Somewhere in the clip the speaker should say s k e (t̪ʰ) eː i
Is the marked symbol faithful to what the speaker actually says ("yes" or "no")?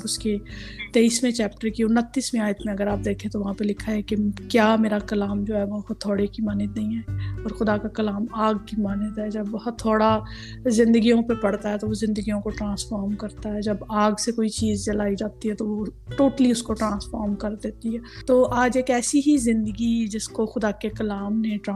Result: no